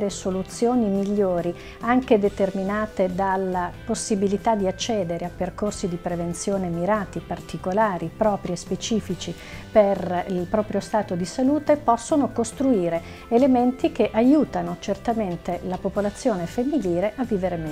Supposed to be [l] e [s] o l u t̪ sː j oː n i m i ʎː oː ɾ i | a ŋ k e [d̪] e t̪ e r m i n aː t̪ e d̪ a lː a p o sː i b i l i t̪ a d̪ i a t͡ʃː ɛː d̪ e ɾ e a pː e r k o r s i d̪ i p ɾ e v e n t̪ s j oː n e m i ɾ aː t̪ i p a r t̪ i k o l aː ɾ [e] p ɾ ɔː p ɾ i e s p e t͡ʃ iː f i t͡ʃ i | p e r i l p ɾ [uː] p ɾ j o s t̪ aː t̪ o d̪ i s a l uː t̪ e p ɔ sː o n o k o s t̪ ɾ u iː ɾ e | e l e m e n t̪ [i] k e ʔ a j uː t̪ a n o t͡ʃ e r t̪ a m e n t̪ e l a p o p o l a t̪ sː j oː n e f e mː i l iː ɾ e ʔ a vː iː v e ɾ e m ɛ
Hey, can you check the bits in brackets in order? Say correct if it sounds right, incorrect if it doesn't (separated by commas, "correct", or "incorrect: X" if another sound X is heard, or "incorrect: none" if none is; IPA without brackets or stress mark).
incorrect: ɾ, correct, correct, incorrect: i, incorrect: ɔː, correct